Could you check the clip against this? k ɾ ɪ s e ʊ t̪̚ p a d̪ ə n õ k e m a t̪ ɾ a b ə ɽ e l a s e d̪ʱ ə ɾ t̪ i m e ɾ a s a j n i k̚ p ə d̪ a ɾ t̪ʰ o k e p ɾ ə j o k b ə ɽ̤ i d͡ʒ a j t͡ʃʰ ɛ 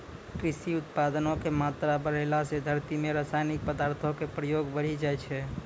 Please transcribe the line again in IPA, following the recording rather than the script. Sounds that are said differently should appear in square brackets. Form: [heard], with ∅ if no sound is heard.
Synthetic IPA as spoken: k ɾ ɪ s [i] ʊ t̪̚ p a d̪ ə n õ k e m a t̪ ɾ a b ə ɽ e l a s e d̪ʱ ə ɾ t̪ i m e ɾ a s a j n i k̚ p ə d̪ a ɾ t̪ʰ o k e p ɾ ə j o [ɡ] b ə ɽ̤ i d͡ʒ a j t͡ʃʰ ɛ